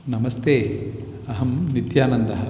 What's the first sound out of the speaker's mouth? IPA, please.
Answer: n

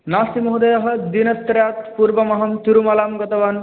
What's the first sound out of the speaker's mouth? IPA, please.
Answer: n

